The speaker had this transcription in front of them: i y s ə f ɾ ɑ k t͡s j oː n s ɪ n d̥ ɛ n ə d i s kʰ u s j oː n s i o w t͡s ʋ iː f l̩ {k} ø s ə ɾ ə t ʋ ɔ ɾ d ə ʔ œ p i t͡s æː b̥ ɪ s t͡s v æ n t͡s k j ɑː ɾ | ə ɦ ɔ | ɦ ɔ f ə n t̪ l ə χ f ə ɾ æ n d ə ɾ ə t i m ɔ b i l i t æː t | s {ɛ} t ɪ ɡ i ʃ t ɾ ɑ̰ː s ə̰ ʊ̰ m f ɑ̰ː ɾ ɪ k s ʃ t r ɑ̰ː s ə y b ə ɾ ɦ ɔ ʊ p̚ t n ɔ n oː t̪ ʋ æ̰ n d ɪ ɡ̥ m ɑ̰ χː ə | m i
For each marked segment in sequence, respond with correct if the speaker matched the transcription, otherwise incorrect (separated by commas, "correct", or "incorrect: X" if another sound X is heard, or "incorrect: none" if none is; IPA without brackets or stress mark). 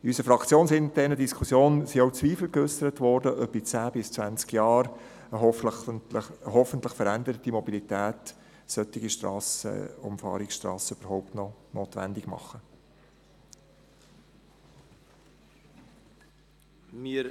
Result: correct, incorrect: œ